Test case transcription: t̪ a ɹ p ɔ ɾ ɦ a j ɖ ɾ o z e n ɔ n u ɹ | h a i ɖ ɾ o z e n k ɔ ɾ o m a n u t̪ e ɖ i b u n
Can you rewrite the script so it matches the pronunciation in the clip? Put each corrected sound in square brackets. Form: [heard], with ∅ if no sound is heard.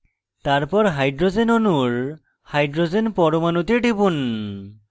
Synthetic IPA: t̪ a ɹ p ɔ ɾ ɦ a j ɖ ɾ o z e n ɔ n u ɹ | h a [j] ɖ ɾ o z e n [p] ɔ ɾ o m a n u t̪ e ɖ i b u n